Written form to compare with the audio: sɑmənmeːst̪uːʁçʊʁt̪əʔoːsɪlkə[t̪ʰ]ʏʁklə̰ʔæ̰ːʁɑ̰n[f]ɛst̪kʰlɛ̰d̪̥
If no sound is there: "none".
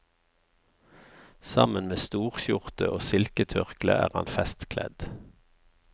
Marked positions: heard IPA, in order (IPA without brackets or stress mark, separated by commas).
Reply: t̪ʰ, f